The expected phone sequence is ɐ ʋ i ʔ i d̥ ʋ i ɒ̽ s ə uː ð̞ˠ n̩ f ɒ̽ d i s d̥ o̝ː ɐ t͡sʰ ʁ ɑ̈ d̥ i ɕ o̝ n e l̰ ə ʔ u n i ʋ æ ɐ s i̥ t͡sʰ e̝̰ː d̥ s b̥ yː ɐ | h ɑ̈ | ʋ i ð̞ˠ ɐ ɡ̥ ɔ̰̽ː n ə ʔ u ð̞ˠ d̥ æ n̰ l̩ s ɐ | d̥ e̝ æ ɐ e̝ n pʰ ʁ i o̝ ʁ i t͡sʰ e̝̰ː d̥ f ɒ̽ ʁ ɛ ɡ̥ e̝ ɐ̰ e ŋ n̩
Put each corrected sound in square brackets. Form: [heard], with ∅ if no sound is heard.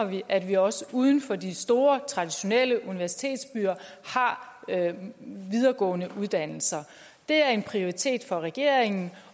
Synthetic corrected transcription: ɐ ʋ i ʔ [æ] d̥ ʋ i ɒ̽ s ə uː ð̞ˠ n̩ f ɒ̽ d i s d̥ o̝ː ɐ t͡sʰ ʁ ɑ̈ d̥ i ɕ o̝ n e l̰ ə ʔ u n i ʋ æ ɐ s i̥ t͡sʰ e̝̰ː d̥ s b̥ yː ɐ | h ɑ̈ | ʋ i ð̞ˠ ɐ ɡ̥ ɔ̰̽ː n ə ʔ u ð̞ˠ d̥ æ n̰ l̩ s ɐ | d̥ e̝ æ ɐ e̝ n pʰ ʁ i o̝ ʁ i t͡sʰ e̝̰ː d̥ f ɒ̽ ʁ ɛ ɡ̥ e̝ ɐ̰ e ŋ n̩